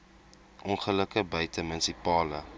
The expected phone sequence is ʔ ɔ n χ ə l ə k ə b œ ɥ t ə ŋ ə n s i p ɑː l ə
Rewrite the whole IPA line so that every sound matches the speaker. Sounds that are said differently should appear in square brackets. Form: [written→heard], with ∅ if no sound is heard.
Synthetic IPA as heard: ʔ ɔ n χ ə l ə k ə b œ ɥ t ə [ŋ→m] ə n s i p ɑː l ə

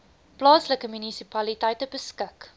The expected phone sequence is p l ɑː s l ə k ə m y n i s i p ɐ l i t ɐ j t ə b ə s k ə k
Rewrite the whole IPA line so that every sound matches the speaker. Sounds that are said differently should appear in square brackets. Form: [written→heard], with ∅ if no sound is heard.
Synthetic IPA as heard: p l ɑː s l ə k ə m y n i s i p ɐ l i t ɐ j t ə b ə s k ə k

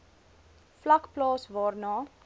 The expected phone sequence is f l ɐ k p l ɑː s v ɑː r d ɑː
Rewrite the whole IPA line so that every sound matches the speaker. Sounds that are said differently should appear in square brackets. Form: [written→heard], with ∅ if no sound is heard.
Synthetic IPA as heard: f l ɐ k p l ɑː s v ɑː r [d→n] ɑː

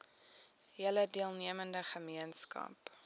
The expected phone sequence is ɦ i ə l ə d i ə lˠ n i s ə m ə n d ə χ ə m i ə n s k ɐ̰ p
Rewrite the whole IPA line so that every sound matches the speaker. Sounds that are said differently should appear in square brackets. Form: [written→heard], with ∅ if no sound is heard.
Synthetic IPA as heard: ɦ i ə l ə d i ə lˠ n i [s→∅] ə m ə n d ə χ ə m i ə n s k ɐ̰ p

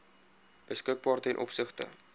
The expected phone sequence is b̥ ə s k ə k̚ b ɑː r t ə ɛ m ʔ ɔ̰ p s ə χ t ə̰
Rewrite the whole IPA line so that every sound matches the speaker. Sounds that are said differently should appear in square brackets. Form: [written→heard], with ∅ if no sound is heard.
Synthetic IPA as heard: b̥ ə s k ə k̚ b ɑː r t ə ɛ [m→n] ʔ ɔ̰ p s ə χ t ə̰

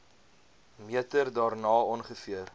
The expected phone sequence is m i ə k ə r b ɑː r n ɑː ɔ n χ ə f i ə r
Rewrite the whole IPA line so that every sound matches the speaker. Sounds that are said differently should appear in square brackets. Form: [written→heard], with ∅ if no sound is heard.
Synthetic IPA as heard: m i ə [k→t] ə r [b→d] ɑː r n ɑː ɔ n χ ə f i ə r

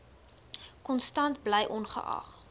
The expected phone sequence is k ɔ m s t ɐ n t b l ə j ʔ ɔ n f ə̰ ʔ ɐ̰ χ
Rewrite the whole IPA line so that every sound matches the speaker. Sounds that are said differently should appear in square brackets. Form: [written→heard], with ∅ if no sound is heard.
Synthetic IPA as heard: k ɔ [m→n] s t ɐ n t b l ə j ʔ ɔ n [f→χ] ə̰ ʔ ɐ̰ χ

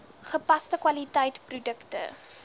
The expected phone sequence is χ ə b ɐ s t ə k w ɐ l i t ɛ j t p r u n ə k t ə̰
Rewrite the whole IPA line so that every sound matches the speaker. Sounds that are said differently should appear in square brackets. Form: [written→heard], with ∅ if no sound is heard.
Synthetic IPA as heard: χ ə [b→p] ɐ s t ə k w ɐ l i t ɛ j t p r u [n→d] ə k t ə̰

